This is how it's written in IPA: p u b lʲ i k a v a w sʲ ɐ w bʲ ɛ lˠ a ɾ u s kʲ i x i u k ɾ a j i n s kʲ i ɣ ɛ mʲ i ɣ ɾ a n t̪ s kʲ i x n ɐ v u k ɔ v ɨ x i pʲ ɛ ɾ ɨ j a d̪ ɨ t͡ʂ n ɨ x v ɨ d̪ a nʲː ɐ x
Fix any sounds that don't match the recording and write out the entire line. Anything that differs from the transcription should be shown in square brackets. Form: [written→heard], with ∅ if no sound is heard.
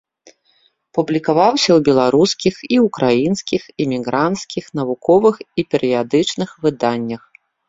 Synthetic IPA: p u b lʲ i k a v a w sʲ ɐ w bʲ ɛ lˠ a ɾ u s kʲ i x i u k ɾ a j i n s kʲ i [ɣ→x] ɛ mʲ i ɣ ɾ a n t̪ s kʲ i x n ɐ v u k ɔ v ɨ x i pʲ ɛ ɾ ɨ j a d̪ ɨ t͡ʂ n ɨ x v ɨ d̪ a nʲː ɐ x

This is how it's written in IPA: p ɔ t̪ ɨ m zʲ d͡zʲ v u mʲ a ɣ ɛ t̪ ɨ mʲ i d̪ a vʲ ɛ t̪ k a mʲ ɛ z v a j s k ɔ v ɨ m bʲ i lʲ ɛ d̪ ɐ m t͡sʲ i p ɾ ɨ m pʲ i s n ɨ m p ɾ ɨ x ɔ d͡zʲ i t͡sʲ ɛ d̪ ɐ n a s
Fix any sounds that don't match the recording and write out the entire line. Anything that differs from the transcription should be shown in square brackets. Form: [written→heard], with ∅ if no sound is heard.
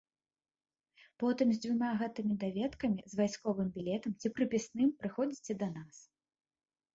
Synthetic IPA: p ɔ t̪ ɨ m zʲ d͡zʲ v u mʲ a ɣ ɛ t̪ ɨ mʲ i d̪ a vʲ ɛ t̪ k [a→ɐ] mʲ [ɛ→i] z v a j s k ɔ v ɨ m bʲ i lʲ ɛ [d̪→t̪] ɐ m t͡sʲ i p ɾ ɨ [m→∅] pʲ i s n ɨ m p ɾ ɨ x ɔ d͡zʲ i t͡sʲ ɛ d̪ ɐ n a s

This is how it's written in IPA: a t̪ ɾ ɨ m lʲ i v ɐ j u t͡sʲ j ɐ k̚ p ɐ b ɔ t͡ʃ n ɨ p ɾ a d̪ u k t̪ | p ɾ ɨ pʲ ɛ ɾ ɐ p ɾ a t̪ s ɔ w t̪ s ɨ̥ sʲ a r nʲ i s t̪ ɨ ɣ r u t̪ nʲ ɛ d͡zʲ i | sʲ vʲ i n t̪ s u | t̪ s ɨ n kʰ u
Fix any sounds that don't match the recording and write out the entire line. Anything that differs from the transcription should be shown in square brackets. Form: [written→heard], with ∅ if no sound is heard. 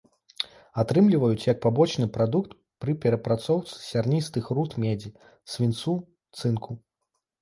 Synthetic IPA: a t̪ ɾ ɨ m lʲ i v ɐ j u t͡sʲ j ɐ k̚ p [ɐ→a] b ɔ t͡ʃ n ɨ p ɾ a d̪ u k t̪ | p ɾ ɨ pʲ ɛ ɾ ɐ p ɾ a t̪ s ɔ w t̪ s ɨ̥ sʲ a r nʲ i s t̪ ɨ [ɣ→x] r u t̪ [nʲ→mʲ] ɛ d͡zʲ i | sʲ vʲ i n t̪ s u | t̪ s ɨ n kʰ u

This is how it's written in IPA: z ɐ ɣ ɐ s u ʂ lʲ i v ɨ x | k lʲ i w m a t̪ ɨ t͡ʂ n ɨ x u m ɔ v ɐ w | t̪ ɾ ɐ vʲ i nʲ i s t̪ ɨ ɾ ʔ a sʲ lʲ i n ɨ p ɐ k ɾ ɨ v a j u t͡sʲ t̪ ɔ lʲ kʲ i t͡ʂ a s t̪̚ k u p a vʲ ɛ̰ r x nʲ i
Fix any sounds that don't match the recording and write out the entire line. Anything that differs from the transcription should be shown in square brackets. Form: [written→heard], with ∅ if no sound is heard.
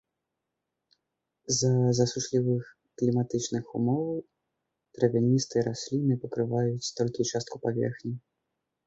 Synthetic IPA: z ɐ [ɣ→z] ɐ s u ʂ lʲ i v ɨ x | k lʲ i [w→∅] m a t̪ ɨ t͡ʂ n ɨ x u m ɔ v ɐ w | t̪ ɾ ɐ vʲ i nʲ i s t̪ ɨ ɾ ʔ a sʲ lʲ i n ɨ p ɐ k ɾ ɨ v a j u t͡sʲ t̪ ɔ lʲ kʲ i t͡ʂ a s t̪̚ k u p a vʲ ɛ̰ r x nʲ i

